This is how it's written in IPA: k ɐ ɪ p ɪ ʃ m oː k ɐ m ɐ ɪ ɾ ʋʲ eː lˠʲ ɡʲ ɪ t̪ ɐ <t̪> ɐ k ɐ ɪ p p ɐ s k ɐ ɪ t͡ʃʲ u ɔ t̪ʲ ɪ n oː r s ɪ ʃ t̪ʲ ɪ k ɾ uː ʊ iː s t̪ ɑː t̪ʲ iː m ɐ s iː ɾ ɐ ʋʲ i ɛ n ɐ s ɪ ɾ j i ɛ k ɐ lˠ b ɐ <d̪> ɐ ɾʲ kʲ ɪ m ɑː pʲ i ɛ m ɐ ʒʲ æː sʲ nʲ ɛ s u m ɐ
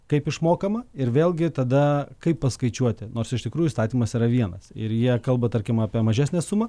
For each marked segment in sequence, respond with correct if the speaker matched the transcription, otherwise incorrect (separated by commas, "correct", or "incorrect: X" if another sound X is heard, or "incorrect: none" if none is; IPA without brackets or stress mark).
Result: incorrect: d̪, incorrect: t̪